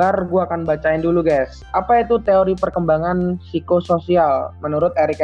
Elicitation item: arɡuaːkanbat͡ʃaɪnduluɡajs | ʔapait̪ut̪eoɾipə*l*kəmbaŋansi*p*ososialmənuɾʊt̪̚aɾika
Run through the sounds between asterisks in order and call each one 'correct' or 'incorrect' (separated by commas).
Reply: incorrect, incorrect